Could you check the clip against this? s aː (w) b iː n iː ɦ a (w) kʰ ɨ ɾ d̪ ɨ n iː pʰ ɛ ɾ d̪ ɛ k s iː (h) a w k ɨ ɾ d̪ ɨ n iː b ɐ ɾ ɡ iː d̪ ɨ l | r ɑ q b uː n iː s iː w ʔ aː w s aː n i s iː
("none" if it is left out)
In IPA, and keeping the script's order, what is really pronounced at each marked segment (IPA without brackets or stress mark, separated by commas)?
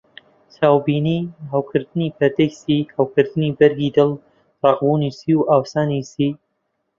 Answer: w, w, h